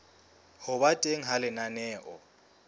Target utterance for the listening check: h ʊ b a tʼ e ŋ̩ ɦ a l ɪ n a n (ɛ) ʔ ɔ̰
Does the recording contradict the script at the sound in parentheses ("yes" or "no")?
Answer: yes